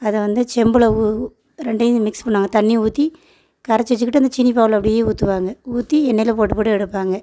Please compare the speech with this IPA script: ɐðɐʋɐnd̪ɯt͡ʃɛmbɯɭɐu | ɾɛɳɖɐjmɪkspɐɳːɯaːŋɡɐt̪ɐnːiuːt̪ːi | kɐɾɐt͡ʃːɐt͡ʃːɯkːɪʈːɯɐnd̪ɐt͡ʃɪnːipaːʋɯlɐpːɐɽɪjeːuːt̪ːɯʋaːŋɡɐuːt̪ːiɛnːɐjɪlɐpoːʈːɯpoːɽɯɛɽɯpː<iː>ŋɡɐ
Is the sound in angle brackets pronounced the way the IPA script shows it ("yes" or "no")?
no